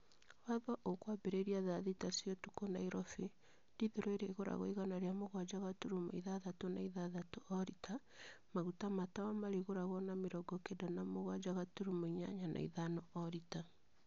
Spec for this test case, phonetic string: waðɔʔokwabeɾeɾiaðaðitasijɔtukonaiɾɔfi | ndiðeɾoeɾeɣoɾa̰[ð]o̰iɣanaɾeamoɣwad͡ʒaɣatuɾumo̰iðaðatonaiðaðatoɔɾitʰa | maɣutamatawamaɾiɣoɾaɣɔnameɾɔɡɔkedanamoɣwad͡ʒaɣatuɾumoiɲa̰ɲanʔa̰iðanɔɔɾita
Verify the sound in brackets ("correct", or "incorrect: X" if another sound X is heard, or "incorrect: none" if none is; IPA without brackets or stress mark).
incorrect: ɣ